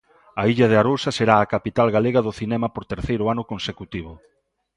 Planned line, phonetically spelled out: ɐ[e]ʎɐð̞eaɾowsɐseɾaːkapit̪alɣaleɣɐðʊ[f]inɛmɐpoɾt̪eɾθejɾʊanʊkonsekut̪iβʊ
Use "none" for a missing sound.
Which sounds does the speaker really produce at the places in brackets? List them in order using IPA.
i, θ

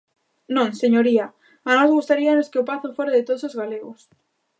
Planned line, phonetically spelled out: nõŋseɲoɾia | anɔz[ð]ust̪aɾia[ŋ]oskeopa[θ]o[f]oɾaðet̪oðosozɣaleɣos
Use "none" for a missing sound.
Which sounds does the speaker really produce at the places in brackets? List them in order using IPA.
ɣ, n, θ, f

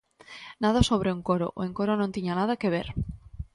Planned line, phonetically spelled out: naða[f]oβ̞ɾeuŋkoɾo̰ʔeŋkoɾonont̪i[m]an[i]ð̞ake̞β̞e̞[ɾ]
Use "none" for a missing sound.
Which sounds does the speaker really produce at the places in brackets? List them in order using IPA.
s, ɲ, a, ɾ

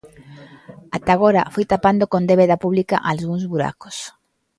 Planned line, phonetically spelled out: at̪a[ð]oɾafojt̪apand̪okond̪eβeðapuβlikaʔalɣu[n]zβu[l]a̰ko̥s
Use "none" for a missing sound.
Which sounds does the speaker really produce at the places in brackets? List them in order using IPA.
ɣ, ŋ, ɾ

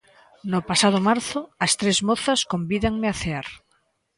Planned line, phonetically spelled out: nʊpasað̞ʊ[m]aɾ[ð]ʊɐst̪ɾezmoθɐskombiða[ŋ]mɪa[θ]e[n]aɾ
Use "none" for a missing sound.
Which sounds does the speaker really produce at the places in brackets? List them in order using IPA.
m, θ, ŋ, θ, none

